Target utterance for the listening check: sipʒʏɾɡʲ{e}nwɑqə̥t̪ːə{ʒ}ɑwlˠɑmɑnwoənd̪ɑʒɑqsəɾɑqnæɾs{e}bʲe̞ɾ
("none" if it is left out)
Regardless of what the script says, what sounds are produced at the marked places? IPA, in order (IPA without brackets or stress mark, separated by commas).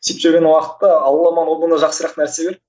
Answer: e, none, e